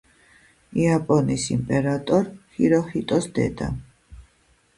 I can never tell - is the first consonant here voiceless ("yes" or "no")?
yes